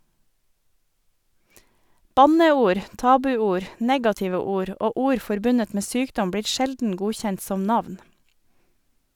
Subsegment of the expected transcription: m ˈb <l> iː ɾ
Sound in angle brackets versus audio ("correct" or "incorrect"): incorrect